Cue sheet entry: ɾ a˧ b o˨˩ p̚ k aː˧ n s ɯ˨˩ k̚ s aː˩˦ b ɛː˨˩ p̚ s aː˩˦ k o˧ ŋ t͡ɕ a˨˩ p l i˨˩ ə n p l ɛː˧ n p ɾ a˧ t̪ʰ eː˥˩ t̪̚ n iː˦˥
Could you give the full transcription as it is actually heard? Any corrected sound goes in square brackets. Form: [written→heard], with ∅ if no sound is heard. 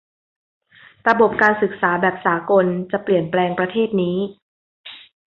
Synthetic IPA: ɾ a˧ b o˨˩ p̚ k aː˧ n s ɯ˨˩ k̚ s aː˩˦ b ɛː˨˩ p̚ s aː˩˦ k o˧ [ŋ→n] t͡ɕ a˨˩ p l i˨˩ ə n p l ɛː˧ [n→ŋ] p ɾ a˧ t̪ʰ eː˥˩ t̪̚ n iː˦˥

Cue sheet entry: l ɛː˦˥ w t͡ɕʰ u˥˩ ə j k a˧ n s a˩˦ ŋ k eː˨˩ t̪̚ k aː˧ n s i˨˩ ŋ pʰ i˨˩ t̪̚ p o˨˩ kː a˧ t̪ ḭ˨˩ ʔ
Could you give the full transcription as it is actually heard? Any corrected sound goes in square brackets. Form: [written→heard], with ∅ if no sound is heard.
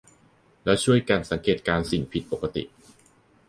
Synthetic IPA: l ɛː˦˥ w t͡ɕʰ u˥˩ ə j k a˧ n s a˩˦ ŋ k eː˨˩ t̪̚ k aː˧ n s i˨˩ ŋ pʰ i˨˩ t̪̚ p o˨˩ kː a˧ t̪ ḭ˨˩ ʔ

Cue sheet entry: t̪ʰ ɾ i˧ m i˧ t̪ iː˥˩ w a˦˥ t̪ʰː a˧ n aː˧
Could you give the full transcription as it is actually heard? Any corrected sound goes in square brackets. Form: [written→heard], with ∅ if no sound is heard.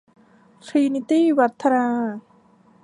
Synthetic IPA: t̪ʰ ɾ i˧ [m→n] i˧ t̪ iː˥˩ w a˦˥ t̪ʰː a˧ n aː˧

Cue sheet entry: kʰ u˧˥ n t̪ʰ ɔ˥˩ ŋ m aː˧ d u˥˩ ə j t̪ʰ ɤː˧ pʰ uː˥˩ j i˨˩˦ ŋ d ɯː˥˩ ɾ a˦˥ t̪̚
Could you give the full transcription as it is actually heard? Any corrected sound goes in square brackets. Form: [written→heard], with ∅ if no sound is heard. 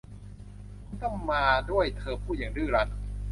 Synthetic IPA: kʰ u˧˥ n [t̪ʰ→t̪] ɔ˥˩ ŋ m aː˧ d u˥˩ ə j t̪ʰ ɤː˧ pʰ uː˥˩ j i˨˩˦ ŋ d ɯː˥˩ ɾ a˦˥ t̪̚

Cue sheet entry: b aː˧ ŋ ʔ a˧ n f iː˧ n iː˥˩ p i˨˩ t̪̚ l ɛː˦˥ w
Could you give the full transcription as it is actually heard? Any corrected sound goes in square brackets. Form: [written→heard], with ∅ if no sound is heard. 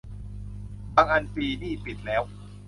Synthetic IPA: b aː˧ ŋ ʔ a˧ n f iː˧ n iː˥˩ p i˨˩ t̪̚ l ɛː˦˥ w

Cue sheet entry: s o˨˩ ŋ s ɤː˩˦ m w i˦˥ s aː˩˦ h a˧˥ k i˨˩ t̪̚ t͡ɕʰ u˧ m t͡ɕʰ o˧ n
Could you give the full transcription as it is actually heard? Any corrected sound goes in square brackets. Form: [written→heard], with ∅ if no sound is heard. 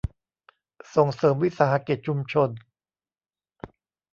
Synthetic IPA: s o˨˩ ŋ s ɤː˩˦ m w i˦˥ s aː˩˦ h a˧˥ k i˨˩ t̪̚ t͡ɕʰ u˧ m t͡ɕʰ o˧ n

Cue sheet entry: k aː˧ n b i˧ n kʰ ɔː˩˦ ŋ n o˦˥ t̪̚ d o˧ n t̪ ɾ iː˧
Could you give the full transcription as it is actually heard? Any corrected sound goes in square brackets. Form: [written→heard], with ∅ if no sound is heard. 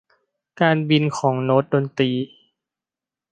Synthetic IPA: k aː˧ n b i˧ n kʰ ɔː˩˦ ŋ n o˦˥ t̪̚ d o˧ n t̪ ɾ iː˧

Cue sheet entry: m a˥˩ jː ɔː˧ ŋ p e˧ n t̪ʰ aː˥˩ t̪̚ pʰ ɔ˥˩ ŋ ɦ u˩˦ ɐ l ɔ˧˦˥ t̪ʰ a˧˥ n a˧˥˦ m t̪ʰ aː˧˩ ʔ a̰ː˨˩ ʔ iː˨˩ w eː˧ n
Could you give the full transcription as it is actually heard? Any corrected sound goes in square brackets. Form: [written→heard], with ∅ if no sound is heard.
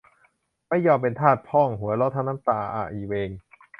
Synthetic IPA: m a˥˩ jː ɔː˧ [ŋ→m] p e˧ n t̪ʰ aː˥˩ t̪̚ pʰ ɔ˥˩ ŋ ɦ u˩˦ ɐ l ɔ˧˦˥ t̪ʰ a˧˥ n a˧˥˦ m [t̪ʰ→t̪] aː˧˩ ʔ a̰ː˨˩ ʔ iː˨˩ w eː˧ [n→ŋ]

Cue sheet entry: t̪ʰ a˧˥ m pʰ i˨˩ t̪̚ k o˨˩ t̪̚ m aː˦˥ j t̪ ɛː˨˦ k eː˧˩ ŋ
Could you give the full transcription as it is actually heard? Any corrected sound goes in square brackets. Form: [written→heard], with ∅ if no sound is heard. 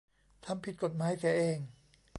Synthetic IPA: t̪ʰ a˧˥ m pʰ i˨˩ t̪̚ k o˨˩ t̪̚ m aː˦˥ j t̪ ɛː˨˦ [k→ʔ] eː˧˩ ŋ

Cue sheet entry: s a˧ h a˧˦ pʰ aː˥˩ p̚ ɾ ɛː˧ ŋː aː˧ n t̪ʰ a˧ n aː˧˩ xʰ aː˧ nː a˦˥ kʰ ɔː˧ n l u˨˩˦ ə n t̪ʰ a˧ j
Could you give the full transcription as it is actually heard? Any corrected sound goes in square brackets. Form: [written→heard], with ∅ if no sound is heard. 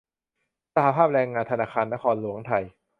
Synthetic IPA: s a˧ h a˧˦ pʰ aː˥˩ p̚ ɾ ɛː˧ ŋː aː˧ n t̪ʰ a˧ n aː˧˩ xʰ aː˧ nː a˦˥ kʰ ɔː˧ n l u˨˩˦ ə [n→ŋ] t̪ʰ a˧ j

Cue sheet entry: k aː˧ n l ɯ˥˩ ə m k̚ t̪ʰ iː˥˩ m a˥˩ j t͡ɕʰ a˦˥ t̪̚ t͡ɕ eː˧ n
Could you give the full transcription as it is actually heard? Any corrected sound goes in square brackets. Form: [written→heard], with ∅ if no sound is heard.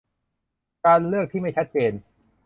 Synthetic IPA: k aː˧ n l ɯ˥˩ ə [m→∅] k̚ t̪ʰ iː˥˩ m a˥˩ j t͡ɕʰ a˦˥ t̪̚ t͡ɕ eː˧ n

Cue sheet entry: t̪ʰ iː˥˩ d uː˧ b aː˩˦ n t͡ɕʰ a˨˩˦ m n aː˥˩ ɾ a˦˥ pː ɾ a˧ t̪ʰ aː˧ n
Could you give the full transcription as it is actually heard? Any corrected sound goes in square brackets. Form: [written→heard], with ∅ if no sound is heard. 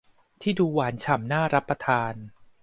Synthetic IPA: t̪ʰ iː˥˩ d uː˧ [b→w] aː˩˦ n t͡ɕʰ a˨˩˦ m n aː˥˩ ɾ a˦˥ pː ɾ a˧ t̪ʰ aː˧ n

